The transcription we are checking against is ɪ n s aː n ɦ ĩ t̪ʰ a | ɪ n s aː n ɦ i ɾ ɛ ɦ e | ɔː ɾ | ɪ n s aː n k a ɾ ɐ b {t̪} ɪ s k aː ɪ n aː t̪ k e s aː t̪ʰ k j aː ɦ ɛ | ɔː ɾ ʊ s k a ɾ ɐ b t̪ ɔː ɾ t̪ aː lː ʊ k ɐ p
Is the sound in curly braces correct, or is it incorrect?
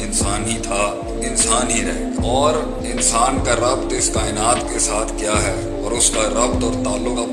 correct